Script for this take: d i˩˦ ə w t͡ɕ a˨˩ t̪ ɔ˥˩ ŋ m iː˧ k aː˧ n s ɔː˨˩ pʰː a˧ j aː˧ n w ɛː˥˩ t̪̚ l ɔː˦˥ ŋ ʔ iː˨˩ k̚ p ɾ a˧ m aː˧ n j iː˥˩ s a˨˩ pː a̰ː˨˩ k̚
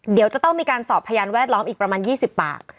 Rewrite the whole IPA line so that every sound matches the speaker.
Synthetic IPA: d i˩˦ ə w t͡ɕ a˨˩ t̪ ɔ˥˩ ŋ m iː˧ k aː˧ n s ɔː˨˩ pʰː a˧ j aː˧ n w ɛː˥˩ t̪̚ l ɔː˦˥ m ʔ iː˨˩ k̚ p ɾ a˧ m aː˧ n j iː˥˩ s i˨˩ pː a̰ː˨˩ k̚